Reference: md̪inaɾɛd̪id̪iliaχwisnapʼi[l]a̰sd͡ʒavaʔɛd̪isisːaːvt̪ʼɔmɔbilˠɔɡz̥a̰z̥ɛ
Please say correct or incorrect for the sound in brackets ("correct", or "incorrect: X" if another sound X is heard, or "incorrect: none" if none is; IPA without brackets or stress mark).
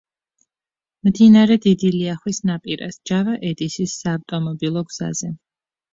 incorrect: ɾ